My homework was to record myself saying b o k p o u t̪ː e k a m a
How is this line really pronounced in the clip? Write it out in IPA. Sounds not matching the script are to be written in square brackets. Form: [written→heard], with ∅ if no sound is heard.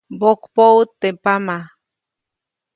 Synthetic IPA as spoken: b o k p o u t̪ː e [k→p] a m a